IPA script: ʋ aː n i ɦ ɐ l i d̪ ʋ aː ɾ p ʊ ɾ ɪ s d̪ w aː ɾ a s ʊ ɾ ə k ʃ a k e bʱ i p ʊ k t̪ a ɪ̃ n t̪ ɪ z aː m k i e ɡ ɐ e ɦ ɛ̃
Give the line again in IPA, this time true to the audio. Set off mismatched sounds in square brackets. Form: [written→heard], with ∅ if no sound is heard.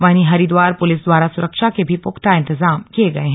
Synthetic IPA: ʋ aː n i ɦ ɐ [l→ɾ] i d̪ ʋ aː ɾ p ʊ [ɾ→l] ɪ s d̪ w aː ɾ a s ʊ ɾ ə k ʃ a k e bʱ i p ʊ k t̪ a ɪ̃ n t̪ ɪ z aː m k i e ɡ ɐ e ɦ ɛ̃